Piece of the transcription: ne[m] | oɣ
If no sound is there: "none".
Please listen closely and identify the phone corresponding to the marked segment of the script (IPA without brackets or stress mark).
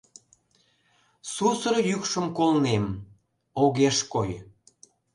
m